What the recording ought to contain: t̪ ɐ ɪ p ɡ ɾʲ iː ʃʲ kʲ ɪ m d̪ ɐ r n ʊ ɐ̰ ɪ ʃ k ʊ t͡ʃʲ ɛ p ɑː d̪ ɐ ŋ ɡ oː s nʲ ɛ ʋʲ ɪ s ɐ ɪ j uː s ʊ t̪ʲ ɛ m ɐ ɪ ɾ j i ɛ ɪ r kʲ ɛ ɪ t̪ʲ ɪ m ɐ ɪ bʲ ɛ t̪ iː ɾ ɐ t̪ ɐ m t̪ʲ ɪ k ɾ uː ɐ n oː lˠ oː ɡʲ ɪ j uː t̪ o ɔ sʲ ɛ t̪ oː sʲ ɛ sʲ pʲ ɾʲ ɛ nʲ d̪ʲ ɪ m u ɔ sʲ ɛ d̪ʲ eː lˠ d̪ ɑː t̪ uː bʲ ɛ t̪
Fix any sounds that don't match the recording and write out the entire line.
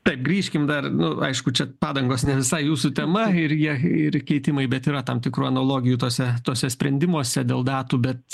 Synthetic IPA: t̪ ɐ ɪ p ɡ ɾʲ iː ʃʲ kʲ ɪ m d̪ ɐ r n ʊ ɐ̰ ɪ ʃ k ʊ t͡ʃʲ ɛ p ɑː d̪ ɐ ŋ ɡ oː s nʲ ɛ ʋʲ ɪ s ɐ ɪ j uː s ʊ t̪ʲ ɛ m ɐ ɪ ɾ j i ɛ ɪ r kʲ ɛ ɪ t̪ʲ ɪ m ɐ ɪ bʲ ɛ t̪ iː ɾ ɐ t̪ ɐ m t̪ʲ ɪ k ɾ uː ɐ n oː lˠ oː ɡʲ ɪ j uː t̪ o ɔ sʲ ɛ t̪ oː sʲ ɛ sʲ pʲ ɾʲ ɛ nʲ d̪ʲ ɪ m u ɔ sʲ ɛ d̪ʲ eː lˠ d̪ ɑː t̪ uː bʲ ɛ t̪